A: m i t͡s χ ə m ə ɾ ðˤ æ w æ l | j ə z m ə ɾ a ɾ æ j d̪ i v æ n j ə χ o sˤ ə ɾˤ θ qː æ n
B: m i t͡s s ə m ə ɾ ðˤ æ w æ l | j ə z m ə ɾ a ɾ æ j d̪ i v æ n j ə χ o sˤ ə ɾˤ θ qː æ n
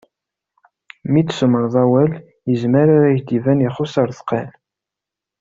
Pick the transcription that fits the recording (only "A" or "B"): B